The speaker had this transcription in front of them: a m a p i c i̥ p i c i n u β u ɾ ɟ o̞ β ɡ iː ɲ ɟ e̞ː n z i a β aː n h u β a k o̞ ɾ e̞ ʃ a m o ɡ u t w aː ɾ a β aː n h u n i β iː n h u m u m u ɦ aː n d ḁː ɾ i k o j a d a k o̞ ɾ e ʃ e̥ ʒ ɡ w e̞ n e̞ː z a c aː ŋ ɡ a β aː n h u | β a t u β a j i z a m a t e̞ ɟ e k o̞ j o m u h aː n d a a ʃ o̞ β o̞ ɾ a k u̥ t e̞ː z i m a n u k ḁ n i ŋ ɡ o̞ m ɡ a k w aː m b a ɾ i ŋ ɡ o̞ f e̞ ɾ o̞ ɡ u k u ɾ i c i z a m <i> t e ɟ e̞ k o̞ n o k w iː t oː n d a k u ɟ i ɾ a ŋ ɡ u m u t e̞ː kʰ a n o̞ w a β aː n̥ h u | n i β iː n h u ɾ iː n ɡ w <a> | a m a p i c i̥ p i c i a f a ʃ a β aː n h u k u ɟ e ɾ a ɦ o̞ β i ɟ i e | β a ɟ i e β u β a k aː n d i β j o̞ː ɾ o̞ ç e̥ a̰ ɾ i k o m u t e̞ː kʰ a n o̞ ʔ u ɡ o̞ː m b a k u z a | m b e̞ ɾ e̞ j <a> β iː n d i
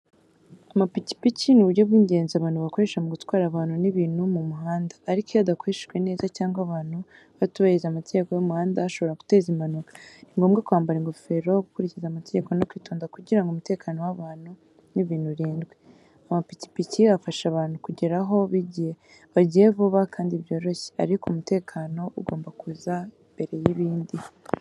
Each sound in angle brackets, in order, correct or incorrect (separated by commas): incorrect, incorrect, incorrect